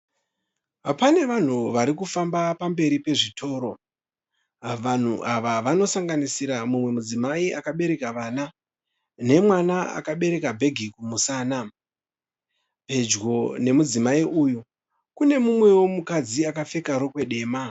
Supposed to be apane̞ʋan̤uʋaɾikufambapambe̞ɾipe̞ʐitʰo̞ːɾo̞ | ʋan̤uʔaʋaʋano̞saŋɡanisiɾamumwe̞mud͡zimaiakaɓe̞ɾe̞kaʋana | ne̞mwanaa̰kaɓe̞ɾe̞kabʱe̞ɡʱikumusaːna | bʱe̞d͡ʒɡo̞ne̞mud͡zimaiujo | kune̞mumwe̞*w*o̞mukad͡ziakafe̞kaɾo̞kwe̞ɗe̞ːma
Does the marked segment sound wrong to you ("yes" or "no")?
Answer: no